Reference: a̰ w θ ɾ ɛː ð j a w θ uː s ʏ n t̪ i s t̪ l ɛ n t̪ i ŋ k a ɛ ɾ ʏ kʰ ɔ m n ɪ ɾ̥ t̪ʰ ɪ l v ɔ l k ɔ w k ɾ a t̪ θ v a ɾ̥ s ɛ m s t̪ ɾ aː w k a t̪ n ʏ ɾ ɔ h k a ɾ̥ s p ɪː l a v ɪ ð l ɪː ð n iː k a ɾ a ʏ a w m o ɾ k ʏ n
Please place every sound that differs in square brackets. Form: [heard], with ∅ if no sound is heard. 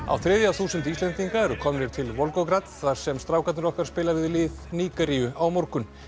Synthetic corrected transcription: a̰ w θ ɾ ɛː ð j a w θ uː s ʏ n t̪ i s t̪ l ɛ n t̪ i ŋ k a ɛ ɾ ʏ kʰ ɔ m n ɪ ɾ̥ t̪ʰ ɪ l v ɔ l k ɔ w k ɾ a t̪ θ v a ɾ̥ s ɛ m s t̪ ɾ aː w k a t̪ n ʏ ɾ ɔ h k a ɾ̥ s p ɪː l a v ɪ ð l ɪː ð n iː k a ɾ [i] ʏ a w m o ɾ k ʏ n

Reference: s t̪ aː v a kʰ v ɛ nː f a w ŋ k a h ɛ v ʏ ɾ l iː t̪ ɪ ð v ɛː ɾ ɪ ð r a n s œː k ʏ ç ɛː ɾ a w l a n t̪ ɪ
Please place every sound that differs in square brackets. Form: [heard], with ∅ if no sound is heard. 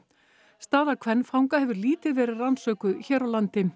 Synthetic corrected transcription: s t̪ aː [ð] a kʰ v ɛ nː f a w ŋ k a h ɛ v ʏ ɾ l iː t̪ ɪ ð v ɛː ɾ ɪ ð r a n s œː k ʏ ç ɛː ɾ a w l a n t̪ ɪ

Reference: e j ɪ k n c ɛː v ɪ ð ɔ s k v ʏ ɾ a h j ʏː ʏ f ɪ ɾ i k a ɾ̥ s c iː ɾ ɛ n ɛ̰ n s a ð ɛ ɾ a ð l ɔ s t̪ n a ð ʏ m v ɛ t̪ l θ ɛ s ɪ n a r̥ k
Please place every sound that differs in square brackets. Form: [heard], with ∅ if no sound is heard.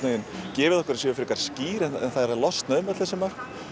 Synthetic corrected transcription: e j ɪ [∅] n c ɛː v ɪ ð ɔ [h] k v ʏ ɾ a [s] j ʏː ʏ f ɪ ɾ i k a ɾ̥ s c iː ɾ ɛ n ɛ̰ n [θ] a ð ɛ ɾ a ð l ɔ s t̪ n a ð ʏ m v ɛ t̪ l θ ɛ s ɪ [m] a r̥ k

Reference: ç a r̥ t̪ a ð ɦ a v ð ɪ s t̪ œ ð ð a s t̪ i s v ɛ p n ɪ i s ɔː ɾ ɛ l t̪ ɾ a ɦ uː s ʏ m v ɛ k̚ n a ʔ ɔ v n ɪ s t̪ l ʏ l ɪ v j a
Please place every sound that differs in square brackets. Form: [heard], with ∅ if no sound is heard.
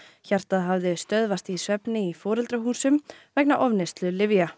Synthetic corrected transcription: ç a r̥ t̪ a ð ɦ a v ð ɪ s t̪ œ ð [v] a s t̪ i s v ɛ p n ɪ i [f] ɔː ɾ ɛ l t̪ ɾ a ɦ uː s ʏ m v ɛ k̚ n a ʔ ɔ v n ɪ s t̪ l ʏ l ɪ v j a

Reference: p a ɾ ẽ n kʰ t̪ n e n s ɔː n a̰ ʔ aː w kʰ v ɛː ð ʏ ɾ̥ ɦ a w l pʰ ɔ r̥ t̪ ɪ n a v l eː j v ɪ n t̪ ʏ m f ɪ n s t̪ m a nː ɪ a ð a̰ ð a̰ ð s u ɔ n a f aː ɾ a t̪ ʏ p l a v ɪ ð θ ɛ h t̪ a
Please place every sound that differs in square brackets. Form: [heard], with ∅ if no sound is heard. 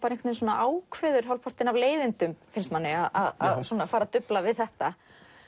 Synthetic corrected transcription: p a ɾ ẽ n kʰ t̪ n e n s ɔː n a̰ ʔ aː w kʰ v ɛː ð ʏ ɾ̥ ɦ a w l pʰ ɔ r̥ t̪ ɪ n a v l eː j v ɪ n t̪ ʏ m f ɪ n s t̪ m a nː ɪ a ð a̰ ð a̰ ð s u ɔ n a f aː ɾ a t̪ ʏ p l a v ɪ ð θ ɛ h t̪ a

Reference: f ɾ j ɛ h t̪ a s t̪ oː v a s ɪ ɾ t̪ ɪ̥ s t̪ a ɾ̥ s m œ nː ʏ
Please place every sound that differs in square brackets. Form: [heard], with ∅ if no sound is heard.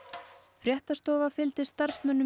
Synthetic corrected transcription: f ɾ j ɛ h t̪ a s t̪ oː v a [f] ɪ [l] t̪ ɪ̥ s t̪ a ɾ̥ s m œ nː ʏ

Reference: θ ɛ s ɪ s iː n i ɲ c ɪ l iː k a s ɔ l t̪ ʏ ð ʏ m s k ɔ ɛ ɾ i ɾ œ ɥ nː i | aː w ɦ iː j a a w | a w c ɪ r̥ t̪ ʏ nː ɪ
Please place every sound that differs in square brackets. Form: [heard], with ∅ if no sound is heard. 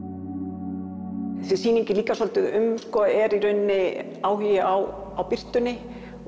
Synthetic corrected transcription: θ ɛ s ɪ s iː n i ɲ c ɪ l iː k a s ɔ l t̪ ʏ ð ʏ m s k ɔ ɛ ɾ i ɾ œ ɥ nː [ɪ] | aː w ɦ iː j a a w | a w [p] ɪ r̥ t̪ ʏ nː ɪ

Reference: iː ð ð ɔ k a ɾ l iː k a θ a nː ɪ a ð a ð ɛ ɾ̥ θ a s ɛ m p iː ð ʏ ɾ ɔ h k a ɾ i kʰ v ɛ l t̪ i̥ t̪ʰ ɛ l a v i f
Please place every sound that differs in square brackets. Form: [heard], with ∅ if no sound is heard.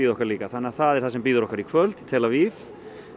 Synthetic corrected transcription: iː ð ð ɔ k a ɾ l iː k a θ a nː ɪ a [θ] a ð ɛ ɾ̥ θ a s ɛ m p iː ð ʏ ɾ ɔ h k a ɾ i kʰ v [œ] l t̪ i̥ t̪ʰ ɛ l a v i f

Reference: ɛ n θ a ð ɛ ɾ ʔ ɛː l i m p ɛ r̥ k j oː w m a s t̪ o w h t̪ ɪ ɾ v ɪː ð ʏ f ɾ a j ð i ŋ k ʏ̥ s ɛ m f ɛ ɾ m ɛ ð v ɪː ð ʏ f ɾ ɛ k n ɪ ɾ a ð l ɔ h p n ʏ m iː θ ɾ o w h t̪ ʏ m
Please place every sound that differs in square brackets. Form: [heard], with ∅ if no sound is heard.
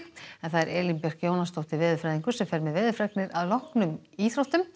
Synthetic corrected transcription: ɛ n θ a ð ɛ ɾ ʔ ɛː l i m p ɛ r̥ k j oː w [n] a s t̪ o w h t̪ ɪ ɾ v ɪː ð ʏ f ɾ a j ð i ŋ k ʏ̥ s ɛ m f ɛ ɾ m ɛ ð v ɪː ð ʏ f ɾ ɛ k n ɪ ɾ a ð l ɔ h [k] n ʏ m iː θ ɾ o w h t̪ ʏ m

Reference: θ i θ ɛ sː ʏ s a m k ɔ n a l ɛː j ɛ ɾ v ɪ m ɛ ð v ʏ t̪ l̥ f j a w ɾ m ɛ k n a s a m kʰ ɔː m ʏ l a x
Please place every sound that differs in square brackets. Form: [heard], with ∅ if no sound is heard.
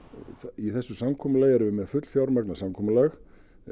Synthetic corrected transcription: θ i θ ɛ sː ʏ s a m [kʰ] ɔ [m] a l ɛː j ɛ ɾ v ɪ m ɛ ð [f] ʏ t̪ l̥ f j a w ɾ m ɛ k n a s a m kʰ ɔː m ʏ l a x

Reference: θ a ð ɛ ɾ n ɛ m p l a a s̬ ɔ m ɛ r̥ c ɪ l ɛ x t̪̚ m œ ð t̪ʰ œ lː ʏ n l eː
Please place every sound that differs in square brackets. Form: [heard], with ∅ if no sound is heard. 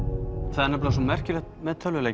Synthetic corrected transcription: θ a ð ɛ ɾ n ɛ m p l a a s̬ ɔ m ɛ r̥ c ɪ l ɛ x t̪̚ m [ɛ] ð t̪ʰ œ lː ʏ [∅] l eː

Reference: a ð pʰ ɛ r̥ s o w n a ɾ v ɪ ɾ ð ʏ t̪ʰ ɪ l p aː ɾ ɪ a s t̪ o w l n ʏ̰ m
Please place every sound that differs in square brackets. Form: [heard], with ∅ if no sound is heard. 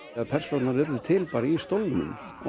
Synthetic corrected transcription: a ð pʰ ɛ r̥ s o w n a ɾ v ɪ ɾ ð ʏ t̪ʰ ɪ l p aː ɾ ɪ [i] s t̪ o w l n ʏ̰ m

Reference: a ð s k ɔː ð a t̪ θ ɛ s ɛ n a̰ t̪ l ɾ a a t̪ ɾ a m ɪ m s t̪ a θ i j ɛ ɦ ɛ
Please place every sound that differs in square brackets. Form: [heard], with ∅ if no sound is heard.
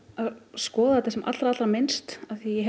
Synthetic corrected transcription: a ð s k ɔː ð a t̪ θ ɛ s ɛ [m] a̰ t̪ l ɾ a a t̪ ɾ a m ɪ [n] s t̪ a θ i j ɛ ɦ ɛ

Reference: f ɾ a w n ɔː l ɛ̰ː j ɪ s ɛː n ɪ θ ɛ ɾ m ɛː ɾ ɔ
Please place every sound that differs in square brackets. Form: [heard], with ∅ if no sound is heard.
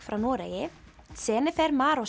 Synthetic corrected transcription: f ɾ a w n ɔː [ɾ] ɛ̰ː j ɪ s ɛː n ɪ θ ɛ ɾ m [aː] ɾ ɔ

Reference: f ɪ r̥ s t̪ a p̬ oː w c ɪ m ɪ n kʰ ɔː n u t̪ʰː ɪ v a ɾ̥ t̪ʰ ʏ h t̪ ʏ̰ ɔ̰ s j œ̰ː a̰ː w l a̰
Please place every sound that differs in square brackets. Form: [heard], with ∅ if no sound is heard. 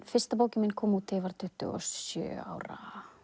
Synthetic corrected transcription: f ɪ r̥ s t̪ a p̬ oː w c ɪ m ɪ n kʰ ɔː [m] u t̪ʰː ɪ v a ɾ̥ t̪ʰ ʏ h t̪ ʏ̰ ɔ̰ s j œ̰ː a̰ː w [ɾ] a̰

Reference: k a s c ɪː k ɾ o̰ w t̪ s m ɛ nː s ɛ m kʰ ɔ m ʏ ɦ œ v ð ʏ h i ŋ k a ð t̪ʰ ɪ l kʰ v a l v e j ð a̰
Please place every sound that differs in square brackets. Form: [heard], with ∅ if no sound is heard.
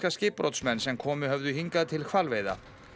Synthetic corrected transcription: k a s c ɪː [p] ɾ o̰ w t̪ s m ɛ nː s ɛ m kʰ [ɔː] m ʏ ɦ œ v ð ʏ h i ŋ k a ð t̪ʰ ɪ l kʰ v a l v e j ð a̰

